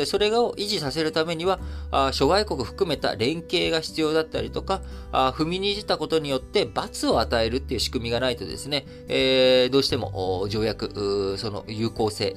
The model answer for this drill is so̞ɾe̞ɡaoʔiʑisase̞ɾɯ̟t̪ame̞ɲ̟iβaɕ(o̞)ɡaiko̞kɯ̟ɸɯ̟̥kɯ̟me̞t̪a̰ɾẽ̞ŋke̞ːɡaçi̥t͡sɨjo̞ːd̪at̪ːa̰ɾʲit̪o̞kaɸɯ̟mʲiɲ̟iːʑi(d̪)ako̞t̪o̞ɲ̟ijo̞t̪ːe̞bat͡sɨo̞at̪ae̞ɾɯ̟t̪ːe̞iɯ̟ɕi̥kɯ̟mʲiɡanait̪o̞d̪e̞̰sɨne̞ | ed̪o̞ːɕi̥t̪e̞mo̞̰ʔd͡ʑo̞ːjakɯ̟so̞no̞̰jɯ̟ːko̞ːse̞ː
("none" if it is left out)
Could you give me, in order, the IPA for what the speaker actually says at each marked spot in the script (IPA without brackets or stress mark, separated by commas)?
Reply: o̞, t̪